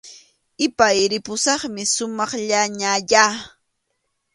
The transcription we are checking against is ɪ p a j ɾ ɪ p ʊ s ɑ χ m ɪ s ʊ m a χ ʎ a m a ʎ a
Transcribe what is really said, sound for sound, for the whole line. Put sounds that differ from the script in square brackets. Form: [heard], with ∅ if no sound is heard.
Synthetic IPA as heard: ɪ p a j ɾ ɪ p ʊ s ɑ χ m ɪ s ʊ m [ɑ] χ ʎ a [ɲ] a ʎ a